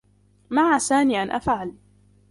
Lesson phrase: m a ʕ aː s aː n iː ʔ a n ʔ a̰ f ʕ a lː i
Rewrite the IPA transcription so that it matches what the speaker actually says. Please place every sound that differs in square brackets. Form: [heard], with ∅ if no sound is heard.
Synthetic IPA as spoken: m a ʕ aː s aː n iː ʔ a n ʔ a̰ f ʕ a [l] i